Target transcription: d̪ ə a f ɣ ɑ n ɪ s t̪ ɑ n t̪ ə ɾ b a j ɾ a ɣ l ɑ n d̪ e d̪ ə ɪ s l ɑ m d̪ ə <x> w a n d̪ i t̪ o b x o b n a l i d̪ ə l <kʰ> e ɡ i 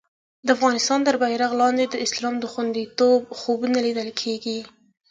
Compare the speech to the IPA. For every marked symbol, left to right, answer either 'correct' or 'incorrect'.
correct, correct

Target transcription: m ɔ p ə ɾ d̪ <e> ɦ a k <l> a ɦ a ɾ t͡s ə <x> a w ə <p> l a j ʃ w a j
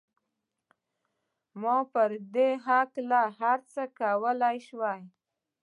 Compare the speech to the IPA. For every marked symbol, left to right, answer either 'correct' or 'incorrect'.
correct, correct, incorrect: k, incorrect: none

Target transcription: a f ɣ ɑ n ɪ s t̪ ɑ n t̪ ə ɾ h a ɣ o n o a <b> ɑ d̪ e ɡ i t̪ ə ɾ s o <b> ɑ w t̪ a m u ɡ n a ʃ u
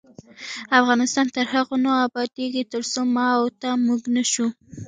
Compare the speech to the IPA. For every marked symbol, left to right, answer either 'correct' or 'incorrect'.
correct, incorrect: m

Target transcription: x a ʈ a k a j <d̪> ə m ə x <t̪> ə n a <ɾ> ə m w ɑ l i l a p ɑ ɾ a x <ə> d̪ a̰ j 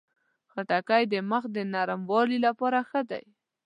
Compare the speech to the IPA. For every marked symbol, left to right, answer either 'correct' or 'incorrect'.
correct, incorrect: d̪, correct, correct

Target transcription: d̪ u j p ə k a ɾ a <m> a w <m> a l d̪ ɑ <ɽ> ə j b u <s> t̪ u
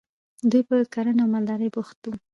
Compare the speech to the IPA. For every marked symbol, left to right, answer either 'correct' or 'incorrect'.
incorrect: n, correct, incorrect: ɾ, incorrect: x

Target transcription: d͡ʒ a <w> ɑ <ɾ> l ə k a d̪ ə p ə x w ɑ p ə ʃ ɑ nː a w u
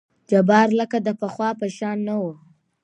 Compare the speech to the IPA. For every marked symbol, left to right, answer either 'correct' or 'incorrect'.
incorrect: b, correct

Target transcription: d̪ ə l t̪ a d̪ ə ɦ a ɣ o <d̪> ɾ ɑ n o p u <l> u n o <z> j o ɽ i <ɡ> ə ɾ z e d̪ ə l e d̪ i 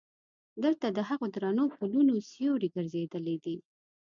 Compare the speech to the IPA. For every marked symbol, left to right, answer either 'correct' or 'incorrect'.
correct, correct, incorrect: s, correct

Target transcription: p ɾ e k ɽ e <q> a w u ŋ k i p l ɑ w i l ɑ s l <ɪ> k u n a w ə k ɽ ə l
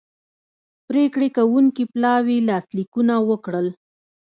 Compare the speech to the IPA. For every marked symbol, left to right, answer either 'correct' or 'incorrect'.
incorrect: k, incorrect: i

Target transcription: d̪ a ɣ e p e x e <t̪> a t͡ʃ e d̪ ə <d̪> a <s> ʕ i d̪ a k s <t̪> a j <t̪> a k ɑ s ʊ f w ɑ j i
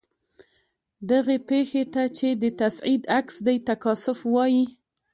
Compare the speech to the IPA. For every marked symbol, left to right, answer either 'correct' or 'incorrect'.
correct, incorrect: t̪, correct, incorrect: d̪, correct

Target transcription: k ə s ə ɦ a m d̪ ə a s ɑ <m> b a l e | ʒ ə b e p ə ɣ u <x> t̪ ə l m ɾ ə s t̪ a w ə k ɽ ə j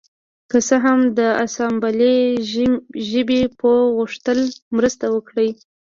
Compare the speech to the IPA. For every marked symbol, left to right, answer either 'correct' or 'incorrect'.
correct, incorrect: ʂ

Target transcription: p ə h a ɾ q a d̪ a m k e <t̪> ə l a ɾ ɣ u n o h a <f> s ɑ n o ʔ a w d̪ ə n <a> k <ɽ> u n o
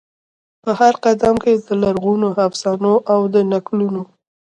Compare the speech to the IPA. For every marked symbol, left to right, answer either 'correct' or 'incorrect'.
incorrect: d̪, correct, correct, incorrect: l

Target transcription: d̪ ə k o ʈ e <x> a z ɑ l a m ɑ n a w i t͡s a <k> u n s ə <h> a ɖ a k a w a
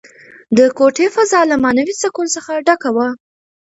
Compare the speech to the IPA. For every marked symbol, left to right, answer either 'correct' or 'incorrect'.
incorrect: f, correct, incorrect: x

